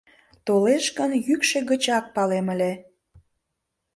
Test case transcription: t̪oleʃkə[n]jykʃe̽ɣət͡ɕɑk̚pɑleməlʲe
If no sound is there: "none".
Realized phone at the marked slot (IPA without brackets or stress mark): n